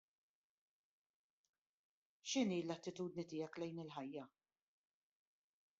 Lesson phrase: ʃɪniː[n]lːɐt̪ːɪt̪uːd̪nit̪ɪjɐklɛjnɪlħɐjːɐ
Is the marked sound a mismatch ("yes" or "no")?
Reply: yes